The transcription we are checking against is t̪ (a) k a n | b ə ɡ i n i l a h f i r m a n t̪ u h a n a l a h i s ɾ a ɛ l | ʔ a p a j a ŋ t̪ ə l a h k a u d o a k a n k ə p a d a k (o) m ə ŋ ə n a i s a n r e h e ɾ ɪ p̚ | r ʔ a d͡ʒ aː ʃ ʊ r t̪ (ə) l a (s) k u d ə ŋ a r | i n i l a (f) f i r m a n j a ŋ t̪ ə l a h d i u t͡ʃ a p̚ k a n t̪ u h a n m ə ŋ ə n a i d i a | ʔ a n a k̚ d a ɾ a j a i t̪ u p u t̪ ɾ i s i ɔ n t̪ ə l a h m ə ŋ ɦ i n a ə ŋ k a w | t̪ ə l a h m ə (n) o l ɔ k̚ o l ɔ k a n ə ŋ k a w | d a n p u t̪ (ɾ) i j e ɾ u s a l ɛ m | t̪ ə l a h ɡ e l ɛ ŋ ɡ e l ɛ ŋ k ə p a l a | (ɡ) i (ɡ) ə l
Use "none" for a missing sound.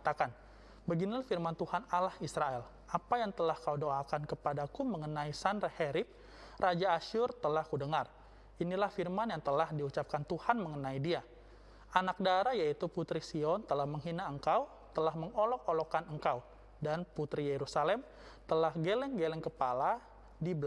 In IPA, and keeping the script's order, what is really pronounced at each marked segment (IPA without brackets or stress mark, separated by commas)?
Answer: a, u, ə, h, h, ŋ, ɾ, d, b